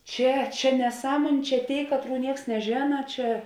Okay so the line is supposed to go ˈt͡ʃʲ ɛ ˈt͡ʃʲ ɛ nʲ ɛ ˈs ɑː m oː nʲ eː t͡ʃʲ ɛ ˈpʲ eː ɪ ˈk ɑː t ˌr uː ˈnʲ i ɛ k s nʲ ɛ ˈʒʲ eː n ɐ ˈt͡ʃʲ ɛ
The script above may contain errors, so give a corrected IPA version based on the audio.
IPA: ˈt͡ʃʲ ɛ ˈt͡ʃʲ ɛ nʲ ɛ ˈs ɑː m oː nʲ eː t͡ʃʲ ɛ ˈtʲ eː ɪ ˈk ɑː t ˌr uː ˈnʲ i ɛ k s nʲ ɛ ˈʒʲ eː n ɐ ˈt͡ʃʲ ɛ